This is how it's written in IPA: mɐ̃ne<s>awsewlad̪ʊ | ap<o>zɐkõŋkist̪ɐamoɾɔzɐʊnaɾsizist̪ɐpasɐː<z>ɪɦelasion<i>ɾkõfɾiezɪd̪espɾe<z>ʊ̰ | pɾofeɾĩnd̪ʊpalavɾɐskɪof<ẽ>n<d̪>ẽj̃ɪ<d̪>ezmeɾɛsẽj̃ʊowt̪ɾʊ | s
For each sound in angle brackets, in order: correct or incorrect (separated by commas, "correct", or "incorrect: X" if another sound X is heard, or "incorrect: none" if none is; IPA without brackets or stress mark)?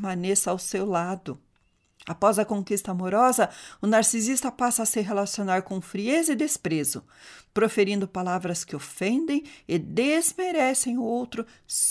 correct, incorrect: ɔ, incorrect: s, incorrect: a, correct, correct, correct, correct